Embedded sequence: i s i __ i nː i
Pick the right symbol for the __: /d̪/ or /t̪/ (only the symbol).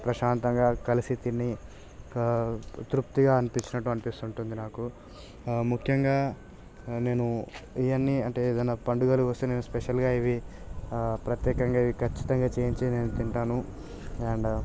t̪